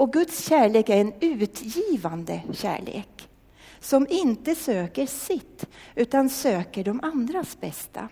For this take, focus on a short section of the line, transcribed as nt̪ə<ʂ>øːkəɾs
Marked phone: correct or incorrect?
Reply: incorrect